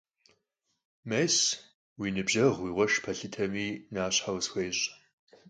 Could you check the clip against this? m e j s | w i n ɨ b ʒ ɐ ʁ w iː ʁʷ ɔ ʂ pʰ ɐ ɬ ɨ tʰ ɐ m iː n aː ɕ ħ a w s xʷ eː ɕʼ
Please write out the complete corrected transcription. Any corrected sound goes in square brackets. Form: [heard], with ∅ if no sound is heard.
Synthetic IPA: m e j s | w i n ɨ b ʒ ɐ ʁ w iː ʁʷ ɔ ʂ pʰ ɐ ɬ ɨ tʰ ɐ m iː n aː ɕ ħ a w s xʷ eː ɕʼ